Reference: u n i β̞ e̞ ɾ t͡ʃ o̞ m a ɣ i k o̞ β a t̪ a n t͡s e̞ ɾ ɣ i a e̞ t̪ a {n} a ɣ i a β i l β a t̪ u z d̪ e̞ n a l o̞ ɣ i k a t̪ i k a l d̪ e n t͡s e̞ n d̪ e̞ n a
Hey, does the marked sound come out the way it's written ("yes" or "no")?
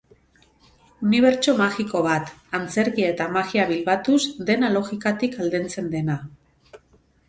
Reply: no